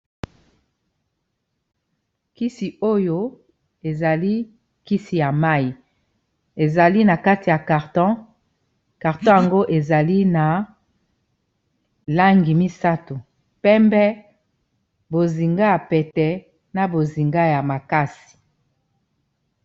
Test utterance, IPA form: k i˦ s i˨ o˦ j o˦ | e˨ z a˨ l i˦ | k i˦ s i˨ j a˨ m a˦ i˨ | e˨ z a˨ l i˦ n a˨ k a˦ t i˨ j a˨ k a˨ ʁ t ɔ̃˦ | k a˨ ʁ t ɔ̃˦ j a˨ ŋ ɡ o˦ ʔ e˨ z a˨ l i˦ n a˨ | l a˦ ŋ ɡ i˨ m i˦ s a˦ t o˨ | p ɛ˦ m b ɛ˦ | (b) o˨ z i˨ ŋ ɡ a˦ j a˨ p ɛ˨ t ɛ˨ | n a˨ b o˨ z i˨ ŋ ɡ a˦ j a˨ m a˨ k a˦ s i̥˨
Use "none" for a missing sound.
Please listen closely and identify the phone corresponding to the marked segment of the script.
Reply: b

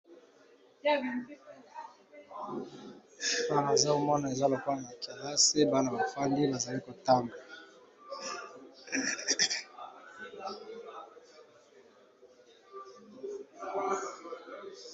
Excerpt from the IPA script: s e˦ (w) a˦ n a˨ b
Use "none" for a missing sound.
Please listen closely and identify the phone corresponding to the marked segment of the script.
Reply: b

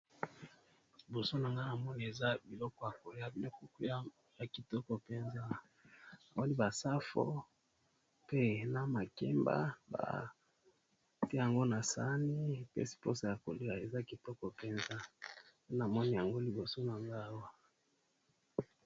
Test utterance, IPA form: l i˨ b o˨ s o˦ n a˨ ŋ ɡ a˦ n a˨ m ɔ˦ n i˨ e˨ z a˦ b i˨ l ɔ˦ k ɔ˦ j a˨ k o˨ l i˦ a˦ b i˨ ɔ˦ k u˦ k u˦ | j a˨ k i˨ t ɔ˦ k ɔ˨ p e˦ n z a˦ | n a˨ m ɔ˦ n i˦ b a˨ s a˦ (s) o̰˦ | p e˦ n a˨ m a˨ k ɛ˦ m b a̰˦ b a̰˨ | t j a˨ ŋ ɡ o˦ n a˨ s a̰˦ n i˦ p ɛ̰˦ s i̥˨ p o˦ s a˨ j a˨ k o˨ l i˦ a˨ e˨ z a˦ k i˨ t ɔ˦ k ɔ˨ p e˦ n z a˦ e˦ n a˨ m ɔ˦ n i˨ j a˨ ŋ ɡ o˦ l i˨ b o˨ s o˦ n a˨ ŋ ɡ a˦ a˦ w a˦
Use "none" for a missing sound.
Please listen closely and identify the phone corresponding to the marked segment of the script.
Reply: f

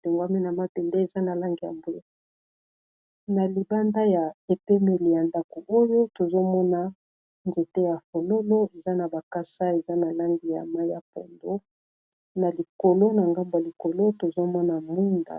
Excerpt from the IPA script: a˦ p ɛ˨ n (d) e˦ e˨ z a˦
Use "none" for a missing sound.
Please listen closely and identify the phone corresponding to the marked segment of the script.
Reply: d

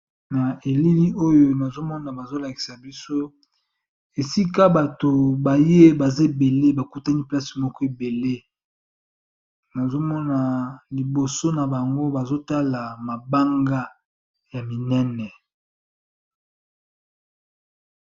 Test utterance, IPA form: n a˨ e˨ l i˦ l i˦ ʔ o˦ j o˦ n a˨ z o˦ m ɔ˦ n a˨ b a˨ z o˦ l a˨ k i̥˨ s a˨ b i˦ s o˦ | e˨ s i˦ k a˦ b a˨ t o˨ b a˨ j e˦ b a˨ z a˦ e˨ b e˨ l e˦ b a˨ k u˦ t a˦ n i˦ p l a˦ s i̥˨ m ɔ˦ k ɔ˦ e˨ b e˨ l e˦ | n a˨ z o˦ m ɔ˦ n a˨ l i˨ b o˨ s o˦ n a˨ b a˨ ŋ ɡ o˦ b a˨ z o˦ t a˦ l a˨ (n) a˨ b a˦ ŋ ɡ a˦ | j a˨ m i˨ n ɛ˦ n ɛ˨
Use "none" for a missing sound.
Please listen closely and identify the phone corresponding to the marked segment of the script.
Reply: m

